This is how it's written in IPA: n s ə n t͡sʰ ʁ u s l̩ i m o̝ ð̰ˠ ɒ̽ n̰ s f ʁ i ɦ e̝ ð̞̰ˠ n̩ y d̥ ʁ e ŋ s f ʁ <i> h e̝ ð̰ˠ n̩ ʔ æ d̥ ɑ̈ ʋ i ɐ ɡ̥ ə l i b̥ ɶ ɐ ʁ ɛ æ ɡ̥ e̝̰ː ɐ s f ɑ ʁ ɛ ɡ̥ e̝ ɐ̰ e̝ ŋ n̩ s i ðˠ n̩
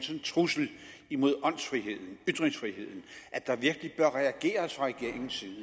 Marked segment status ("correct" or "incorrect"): correct